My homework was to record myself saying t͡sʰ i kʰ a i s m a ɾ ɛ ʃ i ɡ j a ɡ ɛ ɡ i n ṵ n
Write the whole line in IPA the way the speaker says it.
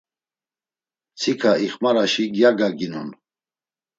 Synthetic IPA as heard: t͡sʰ i kʰ a i χ m a ɾ a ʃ i ɡ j a ɡ a ɡ i n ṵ n